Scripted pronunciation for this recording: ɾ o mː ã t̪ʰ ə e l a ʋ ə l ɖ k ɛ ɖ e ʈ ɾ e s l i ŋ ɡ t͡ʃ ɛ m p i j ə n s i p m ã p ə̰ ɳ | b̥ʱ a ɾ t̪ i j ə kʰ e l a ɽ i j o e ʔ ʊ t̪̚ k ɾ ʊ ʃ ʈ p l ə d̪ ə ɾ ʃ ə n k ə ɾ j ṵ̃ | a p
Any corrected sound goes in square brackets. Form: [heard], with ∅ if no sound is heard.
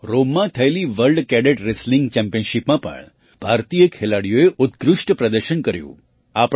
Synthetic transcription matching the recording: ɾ o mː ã t̪ʰ ə e l [i] ʋ ə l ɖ k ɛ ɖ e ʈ ɾ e s l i ŋ ɡ t͡ʃ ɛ m p i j ə n [ʃ] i p m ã p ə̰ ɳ | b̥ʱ a ɾ t̪ i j ə kʰ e l a ɽ i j o e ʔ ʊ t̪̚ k ɾ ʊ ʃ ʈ p [ɾ] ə d̪ ə ɾ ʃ ə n k ə ɾ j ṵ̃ | a p